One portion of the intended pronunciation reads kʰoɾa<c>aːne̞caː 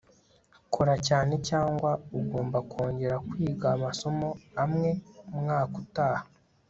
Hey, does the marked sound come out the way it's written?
yes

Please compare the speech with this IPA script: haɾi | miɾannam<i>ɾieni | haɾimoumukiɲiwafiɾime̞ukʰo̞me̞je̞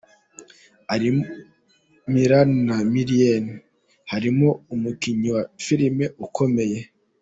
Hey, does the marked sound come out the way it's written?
yes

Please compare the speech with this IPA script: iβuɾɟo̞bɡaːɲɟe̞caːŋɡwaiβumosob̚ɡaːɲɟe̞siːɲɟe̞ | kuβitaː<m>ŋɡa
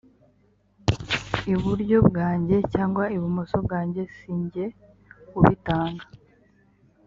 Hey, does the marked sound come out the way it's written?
no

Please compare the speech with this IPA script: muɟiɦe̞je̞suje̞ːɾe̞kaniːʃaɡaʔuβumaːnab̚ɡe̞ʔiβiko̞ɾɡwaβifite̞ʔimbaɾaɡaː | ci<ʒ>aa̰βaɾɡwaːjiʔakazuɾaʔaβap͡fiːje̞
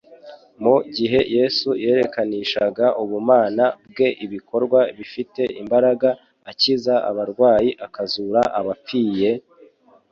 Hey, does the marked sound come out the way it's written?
no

